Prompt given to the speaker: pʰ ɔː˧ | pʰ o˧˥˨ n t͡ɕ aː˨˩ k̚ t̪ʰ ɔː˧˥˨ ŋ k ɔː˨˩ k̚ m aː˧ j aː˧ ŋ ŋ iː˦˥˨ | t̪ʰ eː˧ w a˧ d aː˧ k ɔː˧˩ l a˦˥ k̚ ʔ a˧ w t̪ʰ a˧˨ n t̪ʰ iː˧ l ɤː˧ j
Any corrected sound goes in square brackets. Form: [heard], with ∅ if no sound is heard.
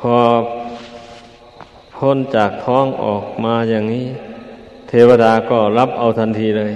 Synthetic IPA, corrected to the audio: pʰ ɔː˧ | pʰ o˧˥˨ n t͡ɕ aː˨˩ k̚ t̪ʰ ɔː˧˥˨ ŋ [ʔ] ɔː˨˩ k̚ m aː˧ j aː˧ ŋ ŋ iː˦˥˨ | t̪ʰ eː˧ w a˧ d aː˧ k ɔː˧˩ l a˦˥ [p̚] ʔ a˧ w t̪ʰ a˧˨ n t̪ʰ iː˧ l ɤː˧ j